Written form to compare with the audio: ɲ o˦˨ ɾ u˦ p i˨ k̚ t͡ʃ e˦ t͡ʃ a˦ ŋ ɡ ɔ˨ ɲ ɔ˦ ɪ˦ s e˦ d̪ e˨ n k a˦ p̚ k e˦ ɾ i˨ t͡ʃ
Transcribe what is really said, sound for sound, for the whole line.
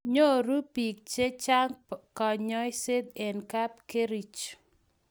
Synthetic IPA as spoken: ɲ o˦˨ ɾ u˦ p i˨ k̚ t͡ʃ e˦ t͡ʃ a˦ ŋ k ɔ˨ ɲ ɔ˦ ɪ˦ s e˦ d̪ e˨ n k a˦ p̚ k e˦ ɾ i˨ t͡ʃ